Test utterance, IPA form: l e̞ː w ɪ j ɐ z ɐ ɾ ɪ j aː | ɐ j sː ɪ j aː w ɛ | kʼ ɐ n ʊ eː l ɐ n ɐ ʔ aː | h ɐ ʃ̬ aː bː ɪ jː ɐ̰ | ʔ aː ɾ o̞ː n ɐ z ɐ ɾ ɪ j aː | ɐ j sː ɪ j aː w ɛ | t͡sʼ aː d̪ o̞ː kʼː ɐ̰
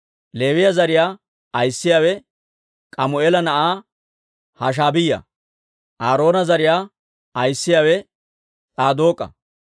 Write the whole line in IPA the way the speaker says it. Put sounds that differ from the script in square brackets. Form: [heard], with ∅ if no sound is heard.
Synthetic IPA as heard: l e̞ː w ɪ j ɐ z ɐ ɾ ɪ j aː | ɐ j sː ɪ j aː w ɛ | kʼ ɐ [m] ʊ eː l ɐ n ɐ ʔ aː | h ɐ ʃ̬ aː [b] ɪ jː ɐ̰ | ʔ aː ɾ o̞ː n ɐ z ɐ ɾ ɪ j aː | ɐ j sː ɪ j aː w ɛ | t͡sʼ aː d̪ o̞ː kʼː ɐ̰